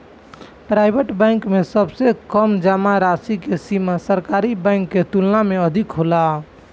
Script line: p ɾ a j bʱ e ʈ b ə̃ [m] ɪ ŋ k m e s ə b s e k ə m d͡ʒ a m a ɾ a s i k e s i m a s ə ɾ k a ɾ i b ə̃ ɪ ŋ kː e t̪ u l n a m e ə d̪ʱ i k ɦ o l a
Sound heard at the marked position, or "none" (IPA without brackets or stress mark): none